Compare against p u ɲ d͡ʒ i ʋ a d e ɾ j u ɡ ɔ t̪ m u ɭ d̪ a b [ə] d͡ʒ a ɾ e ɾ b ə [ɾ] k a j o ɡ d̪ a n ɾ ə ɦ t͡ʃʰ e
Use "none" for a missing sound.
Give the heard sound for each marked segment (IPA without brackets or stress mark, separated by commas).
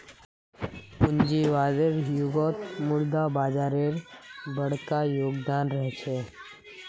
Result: a, ɽ